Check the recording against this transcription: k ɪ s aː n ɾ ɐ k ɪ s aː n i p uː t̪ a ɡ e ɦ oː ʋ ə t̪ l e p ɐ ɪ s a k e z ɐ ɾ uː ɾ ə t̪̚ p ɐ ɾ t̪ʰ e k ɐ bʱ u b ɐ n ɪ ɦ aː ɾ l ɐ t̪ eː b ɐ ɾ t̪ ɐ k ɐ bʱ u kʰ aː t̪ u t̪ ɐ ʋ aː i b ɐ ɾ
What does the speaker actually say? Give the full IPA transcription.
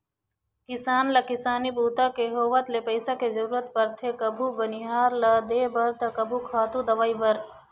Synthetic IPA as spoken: k ɪ s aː n l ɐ k ɪ s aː n i b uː t̪ a k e ɦ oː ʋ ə t̪ l e p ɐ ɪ s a k e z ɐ ɾ uː ɾ ə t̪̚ p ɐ ɾ t̪ʰ e k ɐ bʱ u b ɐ n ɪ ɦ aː ɾ l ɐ d̪ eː b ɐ ɾ t̪ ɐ k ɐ bʱ u kʰ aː t̪ u d̪ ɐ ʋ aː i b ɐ ɾ